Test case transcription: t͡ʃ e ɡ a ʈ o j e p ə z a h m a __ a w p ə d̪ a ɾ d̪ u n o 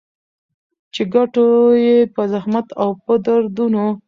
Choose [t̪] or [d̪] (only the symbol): t̪